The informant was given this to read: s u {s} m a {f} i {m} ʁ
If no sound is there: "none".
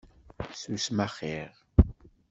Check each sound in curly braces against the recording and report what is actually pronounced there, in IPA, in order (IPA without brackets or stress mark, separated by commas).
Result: s, χ, none